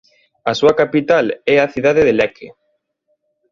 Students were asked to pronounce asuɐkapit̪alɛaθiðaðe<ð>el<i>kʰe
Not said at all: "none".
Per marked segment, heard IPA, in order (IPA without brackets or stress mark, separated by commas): ð, ɛ